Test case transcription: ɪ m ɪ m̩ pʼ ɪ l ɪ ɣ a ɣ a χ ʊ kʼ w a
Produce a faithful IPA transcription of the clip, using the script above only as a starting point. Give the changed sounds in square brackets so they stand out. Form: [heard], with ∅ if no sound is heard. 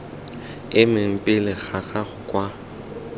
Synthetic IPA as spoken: ɪ m ɪ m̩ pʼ ɪ l ɪ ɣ a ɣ a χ ʊ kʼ w a